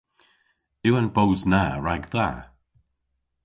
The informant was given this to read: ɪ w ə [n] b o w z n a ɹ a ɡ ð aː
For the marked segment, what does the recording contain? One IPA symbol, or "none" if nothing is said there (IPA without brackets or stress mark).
n